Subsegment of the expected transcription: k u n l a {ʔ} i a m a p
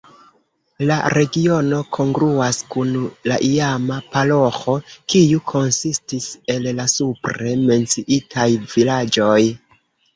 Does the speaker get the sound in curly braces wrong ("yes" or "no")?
no